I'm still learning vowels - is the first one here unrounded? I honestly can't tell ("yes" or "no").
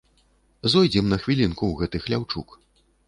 no